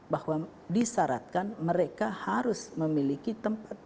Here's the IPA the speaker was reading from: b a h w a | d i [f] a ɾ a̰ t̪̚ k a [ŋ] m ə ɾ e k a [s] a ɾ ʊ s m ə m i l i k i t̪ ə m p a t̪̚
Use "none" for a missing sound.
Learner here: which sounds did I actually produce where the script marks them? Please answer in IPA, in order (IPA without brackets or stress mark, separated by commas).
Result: s, n, h